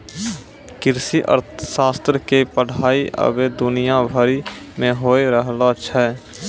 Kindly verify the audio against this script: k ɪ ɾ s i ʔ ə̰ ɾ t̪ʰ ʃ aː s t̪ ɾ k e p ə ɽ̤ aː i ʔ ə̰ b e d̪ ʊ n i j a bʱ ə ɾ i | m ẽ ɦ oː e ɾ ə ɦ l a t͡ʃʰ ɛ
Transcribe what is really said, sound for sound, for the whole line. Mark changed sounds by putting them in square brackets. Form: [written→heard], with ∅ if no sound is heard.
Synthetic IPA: k ɪ ɾ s i ʔ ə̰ ɾ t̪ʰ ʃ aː s t̪ ɾ k e p ə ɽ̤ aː i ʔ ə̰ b e d̪ ʊ n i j a bʱ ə ɾ i | m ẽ ɦ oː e ɾ ə ɦ l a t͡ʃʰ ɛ

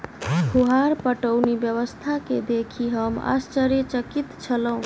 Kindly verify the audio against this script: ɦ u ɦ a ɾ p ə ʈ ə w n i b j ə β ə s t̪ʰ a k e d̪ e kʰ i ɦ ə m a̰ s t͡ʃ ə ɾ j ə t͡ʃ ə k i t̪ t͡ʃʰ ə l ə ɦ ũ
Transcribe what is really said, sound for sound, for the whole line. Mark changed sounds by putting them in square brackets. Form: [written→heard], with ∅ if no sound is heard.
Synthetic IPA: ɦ u ɦ a ɾ p ə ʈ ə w n i b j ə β ə s t̪ʰ a k e d̪ e kʰ i ɦ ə m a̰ s t͡ʃ ə ɾ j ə t͡ʃ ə k i t̪ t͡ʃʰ ə l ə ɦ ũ

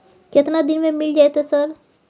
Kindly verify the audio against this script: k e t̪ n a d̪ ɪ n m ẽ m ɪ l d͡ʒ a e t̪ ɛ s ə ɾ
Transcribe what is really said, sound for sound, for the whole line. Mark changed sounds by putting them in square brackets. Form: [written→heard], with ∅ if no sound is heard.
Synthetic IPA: k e t̪ n a d̪ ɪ n m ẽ m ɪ l d͡ʒ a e t̪ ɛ s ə ɾ

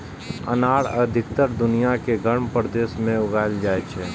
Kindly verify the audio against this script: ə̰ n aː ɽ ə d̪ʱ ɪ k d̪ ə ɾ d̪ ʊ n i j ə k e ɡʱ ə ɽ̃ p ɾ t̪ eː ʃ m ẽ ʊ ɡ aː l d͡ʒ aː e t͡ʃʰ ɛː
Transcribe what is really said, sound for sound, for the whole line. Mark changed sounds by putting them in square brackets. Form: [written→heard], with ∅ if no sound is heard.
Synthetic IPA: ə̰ n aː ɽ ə d̪ʱ ɪ k [d̪→t̪] ə ɾ d̪ ʊ n i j [ə→a] k e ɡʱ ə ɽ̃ p ɾ [t̪→d̪] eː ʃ m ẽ ʊ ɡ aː l d͡ʒ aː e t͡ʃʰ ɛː

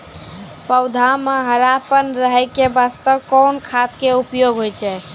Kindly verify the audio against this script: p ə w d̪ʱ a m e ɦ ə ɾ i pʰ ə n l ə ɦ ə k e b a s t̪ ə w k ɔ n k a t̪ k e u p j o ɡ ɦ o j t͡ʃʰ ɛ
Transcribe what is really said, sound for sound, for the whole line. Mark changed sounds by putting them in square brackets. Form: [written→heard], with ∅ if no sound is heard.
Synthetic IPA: p ə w d̪ʱ a m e ɦ ə ɾ [i→a] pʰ ə n [l→ɾ] ə ɦ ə k e b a s t̪ ə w k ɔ n [k→kʰ] a t̪ k e u p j o ɡ ɦ o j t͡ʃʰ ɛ

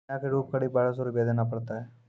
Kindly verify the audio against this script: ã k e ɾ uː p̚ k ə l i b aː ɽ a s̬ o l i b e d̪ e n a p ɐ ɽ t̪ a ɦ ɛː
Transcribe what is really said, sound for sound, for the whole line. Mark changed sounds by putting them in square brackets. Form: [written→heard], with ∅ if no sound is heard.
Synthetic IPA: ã k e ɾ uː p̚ k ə [l→ɽ] i b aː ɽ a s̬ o [l→ɾ] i b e d̪ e n a p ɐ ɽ t̪ a ɦ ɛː

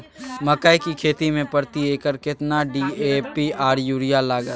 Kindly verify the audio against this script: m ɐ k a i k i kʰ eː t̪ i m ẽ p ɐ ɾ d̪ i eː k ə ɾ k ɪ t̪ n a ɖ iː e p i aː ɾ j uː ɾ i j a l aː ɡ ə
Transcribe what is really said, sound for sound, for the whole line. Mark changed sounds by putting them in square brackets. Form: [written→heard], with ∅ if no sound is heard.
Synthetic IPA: m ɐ k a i k i kʰ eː t̪ i m ẽ p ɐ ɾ [d̪→t̪] i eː k ə ɾ k ɪ t̪ n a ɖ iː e p i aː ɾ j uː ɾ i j a l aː ɡ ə

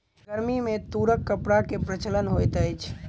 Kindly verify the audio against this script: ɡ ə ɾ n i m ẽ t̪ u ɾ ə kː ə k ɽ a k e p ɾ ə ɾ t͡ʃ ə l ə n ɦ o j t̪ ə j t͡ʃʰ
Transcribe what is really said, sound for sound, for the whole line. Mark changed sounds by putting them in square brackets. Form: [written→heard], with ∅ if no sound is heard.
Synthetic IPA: ɡ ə ɾ [n→m] i m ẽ t̪ u ɾ ə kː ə [k→p] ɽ a k e p ɾ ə [ɾ→∅] t͡ʃ ə l ə n ɦ o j t̪ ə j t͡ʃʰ

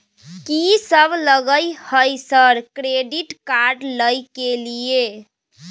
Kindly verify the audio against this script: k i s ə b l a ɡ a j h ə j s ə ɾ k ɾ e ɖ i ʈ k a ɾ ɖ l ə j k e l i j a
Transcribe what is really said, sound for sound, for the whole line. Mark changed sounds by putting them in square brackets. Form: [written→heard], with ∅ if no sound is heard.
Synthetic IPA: k i s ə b l [a→ə] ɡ [a→ə] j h ə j s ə ɾ k ɾ e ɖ i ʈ k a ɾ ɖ l ə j k e l i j [a→e]

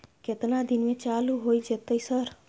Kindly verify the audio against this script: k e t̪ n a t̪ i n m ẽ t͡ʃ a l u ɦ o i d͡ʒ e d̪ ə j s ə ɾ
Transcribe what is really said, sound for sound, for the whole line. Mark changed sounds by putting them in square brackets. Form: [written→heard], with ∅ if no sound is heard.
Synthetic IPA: k e t̪ n a [t̪→d̪] i n m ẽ t͡ʃ a l u ɦ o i d͡ʒ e [d̪→t̪] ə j s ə ɾ

